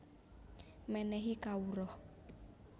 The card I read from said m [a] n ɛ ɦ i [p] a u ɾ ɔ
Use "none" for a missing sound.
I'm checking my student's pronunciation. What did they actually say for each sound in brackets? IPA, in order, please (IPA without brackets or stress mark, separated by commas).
ɛ, k